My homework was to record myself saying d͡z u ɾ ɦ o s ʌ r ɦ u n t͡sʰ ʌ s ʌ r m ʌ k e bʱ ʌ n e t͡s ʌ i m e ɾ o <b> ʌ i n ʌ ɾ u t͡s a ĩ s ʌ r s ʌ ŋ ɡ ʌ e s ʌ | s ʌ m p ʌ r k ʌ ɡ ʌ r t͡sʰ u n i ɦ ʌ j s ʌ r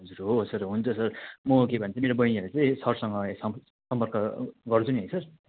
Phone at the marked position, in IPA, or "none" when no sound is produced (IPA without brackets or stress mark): b